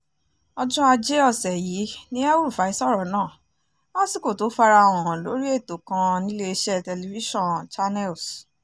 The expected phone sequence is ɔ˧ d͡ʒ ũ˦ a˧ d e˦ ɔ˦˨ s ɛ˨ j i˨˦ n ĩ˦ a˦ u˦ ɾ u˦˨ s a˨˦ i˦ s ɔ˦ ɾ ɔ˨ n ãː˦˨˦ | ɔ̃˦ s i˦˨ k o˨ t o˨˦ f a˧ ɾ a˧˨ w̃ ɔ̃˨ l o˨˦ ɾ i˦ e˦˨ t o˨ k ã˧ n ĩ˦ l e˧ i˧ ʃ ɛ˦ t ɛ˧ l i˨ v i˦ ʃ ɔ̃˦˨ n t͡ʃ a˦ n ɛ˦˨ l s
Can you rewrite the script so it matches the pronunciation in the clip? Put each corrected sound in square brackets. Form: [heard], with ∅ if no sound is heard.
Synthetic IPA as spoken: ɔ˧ d͡ʒ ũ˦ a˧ [d͡ʒ] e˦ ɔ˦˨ s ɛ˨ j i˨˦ n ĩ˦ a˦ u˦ ɾ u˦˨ [f] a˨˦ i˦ s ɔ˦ ɾ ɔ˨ n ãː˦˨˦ | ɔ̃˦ s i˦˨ k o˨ t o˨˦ f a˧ ɾ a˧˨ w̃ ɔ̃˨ l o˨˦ ɾ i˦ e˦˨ t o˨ k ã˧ n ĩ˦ l e˧ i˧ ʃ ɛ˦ t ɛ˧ l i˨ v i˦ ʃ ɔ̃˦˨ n t͡ʃ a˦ n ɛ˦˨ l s